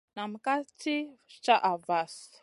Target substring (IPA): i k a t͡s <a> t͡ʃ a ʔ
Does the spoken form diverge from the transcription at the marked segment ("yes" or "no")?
yes